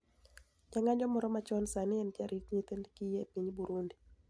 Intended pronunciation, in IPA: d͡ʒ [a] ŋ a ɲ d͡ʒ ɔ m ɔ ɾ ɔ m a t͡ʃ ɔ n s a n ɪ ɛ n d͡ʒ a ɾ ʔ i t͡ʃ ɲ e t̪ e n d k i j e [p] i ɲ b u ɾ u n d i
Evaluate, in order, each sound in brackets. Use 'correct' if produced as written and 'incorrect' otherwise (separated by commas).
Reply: correct, correct